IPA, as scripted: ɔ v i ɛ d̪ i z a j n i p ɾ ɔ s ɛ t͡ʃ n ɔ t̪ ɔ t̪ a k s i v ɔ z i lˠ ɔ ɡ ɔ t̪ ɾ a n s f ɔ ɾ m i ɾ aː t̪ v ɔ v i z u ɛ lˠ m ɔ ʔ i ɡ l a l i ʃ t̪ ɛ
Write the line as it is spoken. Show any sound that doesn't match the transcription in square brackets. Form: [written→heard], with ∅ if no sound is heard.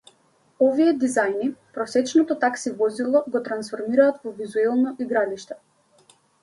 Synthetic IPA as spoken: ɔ v i ɛ d̪ i z a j n i p ɾ ɔ s ɛ t͡ʃ n ɔ t̪ ɔ t̪ a k s i v ɔ z i lˠ ɔ ɡ ɔ t̪ ɾ a n s f ɔ ɾ m i ɾ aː t̪ v ɔ v i z u ɛ lˠ [m→n] ɔ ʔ i ɡ [l→ɾ] a l i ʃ t̪ ɛ

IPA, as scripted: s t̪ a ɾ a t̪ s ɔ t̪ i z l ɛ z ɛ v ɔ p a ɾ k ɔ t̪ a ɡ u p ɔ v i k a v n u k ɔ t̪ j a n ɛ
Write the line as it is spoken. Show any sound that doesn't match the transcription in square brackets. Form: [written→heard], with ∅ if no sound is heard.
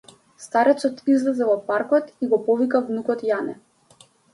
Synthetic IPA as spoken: s t̪ a ɾ [a→ɛ] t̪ s ɔ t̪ i z l ɛ z ɛ v ɔ p a ɾ k ɔ t̪ [a→i] ɡ [u→ɔ] p ɔ v i k a v n u k ɔ t̪ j a n ɛ

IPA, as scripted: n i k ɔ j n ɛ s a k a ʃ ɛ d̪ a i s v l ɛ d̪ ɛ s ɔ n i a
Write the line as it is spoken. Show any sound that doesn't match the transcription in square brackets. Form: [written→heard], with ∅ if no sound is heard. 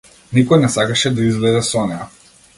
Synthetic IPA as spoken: n i k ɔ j n ɛ s a k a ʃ ɛ d̪ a i [s→z] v l ɛ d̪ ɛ s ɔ n [i→ɛ] a

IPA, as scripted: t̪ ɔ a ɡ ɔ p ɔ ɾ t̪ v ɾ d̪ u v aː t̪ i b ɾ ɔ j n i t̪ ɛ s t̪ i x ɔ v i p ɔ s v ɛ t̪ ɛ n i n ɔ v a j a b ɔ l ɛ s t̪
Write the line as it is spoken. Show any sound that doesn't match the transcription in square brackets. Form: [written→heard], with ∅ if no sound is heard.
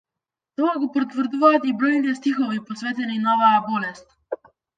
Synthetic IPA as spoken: t̪ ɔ a ɡ ɔ p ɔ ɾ t̪ v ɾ d̪ u v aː t̪ i b ɾ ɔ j n i t̪ ɛ s t̪ i x ɔ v i p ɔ s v ɛ t̪ ɛ n i n ɔ v a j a b ɔ l ɛ s t̪

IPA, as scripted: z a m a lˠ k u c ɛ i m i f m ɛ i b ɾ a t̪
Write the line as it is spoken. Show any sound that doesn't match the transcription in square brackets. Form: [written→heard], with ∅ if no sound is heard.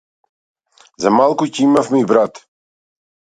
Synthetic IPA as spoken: z a m a lˠ k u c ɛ i m [i→a] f m ɛ i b ɾ a t̪

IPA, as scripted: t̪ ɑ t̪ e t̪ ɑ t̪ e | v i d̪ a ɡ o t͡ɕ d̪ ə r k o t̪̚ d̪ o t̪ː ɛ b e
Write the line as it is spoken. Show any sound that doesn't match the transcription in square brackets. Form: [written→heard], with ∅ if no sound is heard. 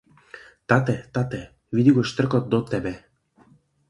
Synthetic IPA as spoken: t̪ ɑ t̪ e t̪ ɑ t̪ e | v i d̪ [a→i] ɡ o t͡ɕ [d̪→t̪] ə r k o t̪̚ d̪ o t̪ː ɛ b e

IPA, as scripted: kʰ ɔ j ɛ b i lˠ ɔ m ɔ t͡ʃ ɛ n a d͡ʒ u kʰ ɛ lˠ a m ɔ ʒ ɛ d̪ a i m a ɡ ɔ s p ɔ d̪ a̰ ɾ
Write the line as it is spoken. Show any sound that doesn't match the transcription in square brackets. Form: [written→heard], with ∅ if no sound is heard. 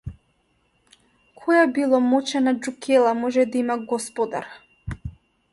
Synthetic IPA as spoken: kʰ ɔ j [ɛ→a] b i lˠ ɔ m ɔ t͡ʃ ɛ n a d͡ʒ u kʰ ɛ lˠ a m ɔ ʒ ɛ d̪ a i m a ɡ ɔ s p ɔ d̪ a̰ ɾ

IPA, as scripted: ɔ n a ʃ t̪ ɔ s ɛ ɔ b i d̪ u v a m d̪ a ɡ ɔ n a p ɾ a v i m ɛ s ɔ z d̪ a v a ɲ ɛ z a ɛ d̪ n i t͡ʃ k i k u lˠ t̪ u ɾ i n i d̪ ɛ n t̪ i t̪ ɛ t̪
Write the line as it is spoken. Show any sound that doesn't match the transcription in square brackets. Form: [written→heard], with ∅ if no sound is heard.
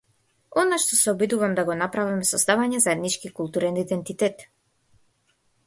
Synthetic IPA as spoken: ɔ n a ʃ t̪ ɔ s ɛ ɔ b i d̪ u v a m d̪ a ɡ ɔ n a p ɾ a v i m ɛ s ɔ z d̪ a v a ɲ ɛ z a ɛ d̪ n i t͡ʃ k i k u lˠ t̪ u ɾ [i→ɛ] n i d̪ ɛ n t̪ i t̪ ɛ t̪

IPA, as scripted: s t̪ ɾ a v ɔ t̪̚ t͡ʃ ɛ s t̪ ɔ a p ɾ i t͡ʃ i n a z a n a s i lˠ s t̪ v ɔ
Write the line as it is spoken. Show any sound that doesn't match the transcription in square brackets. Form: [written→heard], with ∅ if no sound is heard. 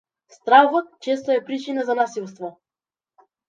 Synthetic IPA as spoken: s t̪ ɾ a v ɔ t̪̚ t͡ʃ ɛ s t̪ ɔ [a→ɛ] p ɾ i t͡ʃ i n a z a n a s i lˠ s t̪ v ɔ

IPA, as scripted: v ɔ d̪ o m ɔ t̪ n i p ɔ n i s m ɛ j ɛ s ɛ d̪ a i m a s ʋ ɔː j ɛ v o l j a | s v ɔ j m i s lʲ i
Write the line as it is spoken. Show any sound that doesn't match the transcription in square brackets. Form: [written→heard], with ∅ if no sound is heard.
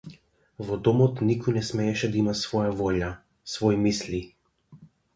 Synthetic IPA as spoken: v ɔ d̪ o m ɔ t̪ n i [p→k] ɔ n [i→ɛ] s m ɛ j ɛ [s→ʃ] ɛ d̪ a i m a s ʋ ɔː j [ɛ→a] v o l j a | s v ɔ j m i s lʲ i

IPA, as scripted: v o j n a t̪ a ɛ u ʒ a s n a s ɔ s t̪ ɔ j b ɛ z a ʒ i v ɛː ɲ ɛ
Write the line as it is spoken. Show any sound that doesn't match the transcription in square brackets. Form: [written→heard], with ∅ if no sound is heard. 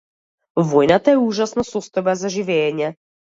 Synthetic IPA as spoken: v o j n a t̪ a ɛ u ʒ a s n a s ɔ s t̪ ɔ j b [ɛ→a] z a ʒ i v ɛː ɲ ɛ

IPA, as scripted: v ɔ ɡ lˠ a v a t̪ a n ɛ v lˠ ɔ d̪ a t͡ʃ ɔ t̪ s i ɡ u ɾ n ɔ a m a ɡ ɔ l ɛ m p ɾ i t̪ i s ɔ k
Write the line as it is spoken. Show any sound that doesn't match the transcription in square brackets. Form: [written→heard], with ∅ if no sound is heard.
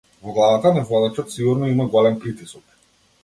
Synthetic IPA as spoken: v ɔ ɡ lˠ a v a t̪ a n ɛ v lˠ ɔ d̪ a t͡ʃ ɔ t̪ s i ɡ u ɾ n ɔ [a→i] m a ɡ ɔ l ɛ m p ɾ i t̪ i s ɔ k

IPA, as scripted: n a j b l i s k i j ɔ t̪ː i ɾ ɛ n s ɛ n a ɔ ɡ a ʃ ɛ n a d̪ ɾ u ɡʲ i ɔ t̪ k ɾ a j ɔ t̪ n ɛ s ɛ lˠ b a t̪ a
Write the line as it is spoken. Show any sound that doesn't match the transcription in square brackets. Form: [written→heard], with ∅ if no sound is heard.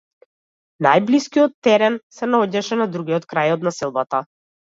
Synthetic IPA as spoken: n a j b l i s k i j ɔ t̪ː [i→ɛ] ɾ ɛ n s ɛ n a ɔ [ɡ→ɟ] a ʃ ɛ n a d̪ ɾ u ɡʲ i ɔ t̪ k ɾ a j ɔ t̪ n [ɛ→a] s ɛ lˠ b a t̪ a

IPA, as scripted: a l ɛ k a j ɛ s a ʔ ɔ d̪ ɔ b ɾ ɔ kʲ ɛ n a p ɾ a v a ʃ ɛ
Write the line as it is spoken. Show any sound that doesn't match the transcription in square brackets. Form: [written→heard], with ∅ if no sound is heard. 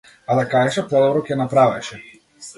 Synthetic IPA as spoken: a l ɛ k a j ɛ [s→ʃ] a [ʔ→p] ɔ d̪ ɔ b ɾ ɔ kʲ ɛ n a p ɾ a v [a→ɛ] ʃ ɛ

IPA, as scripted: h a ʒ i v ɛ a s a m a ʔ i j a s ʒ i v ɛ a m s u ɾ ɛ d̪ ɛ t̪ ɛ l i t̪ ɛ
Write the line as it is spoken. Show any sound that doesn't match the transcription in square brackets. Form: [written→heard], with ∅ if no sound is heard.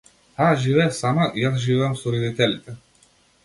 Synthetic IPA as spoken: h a ʒ i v ɛ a s a m a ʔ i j a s ʒ i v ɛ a m s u ɾ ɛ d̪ [ɛ→i] t̪ ɛ l i t̪ ɛ

